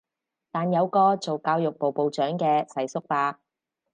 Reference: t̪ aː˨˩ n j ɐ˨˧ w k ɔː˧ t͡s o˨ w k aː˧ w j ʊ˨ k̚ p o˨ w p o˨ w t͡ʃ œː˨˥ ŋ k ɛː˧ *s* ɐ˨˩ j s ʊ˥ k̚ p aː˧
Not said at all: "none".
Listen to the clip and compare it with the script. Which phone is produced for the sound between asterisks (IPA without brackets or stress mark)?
s